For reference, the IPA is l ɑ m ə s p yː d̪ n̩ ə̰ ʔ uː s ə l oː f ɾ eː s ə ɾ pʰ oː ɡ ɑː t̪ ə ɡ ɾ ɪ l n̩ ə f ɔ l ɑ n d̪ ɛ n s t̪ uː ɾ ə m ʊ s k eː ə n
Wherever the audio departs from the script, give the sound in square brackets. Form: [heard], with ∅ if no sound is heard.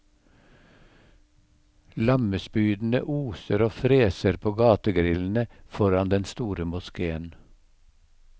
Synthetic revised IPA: l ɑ m ə s p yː d̪ n̩ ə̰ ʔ uː s ə [ɾ] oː f ɾ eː s ə ɾ pʰ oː ɡ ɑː t̪ ə ɡ ɾ ɪ l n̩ ə f ɔ [ɾ] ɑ n d̪ ɛ n s t̪ uː ɾ ə m ʊ s k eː ə n